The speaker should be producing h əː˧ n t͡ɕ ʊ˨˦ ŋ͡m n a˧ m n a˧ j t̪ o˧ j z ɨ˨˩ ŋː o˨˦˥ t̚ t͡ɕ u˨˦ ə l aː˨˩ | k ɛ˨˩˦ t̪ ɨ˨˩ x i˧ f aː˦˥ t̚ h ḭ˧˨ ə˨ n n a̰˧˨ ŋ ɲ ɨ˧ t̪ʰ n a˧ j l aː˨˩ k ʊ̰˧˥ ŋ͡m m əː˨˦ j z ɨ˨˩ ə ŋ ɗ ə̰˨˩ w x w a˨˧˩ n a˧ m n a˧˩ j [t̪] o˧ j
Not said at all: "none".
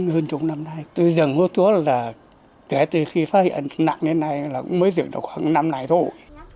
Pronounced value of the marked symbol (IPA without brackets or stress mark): t̪ʰ